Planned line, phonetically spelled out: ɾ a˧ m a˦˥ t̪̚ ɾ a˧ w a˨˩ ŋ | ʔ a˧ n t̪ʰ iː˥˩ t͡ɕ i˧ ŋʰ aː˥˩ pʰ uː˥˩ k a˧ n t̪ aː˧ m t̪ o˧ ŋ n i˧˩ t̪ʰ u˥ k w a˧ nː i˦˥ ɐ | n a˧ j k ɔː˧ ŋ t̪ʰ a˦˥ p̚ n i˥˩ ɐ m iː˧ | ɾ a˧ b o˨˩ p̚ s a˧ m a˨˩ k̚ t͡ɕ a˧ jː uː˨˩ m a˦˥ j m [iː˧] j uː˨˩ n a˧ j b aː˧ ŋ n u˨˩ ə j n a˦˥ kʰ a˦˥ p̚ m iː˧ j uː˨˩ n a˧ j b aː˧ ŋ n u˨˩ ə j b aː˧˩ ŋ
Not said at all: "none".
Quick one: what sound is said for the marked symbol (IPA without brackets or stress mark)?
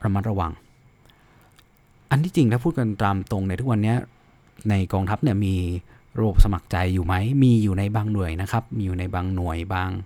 iː˧